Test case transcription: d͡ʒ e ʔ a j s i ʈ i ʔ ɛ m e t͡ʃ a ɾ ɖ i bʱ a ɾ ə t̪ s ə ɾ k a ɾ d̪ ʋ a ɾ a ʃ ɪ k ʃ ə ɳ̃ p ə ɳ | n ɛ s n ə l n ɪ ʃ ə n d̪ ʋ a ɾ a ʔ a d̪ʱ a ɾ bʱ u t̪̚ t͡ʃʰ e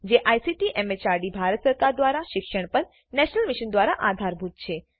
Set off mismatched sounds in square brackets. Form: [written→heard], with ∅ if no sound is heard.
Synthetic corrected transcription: d͡ʒ e ʔ a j s i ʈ i ʔ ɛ m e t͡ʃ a ɾ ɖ i bʱ a ɾ ə t̪ s ə ɾ k a ɾ d̪ ʋ a ɾ a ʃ ɪ k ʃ ə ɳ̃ p ə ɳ | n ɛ [s→ʃ] n ə l [n→m] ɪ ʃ ə n d̪ ʋ a ɾ a ʔ a d̪ʱ a ɾ bʱ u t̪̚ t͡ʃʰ e